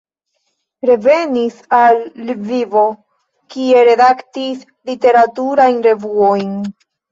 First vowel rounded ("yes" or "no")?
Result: no